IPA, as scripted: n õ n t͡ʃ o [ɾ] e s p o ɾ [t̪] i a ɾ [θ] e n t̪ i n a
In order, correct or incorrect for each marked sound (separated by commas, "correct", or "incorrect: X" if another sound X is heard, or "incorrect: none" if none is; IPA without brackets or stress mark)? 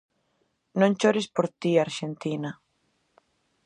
correct, correct, incorrect: ʃ